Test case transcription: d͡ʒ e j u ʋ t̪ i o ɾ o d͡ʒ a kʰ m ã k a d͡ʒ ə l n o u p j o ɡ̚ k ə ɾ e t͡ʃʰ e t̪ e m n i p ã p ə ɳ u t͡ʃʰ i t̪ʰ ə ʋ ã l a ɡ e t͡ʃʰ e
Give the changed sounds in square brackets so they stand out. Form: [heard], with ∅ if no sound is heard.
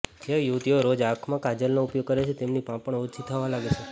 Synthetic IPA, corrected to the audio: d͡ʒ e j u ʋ t̪ i o ɾ o d͡ʒ a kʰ m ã k a d͡ʒ ə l n o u p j o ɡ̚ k ə ɾ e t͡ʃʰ e t̪ e m n i p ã p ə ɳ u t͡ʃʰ i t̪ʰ ə ʋ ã l a ɡ e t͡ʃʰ e